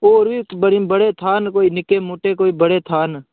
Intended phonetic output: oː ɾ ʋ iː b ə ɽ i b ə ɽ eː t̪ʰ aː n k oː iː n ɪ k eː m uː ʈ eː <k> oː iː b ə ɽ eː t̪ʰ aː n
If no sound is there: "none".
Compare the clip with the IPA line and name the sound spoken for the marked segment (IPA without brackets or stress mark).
k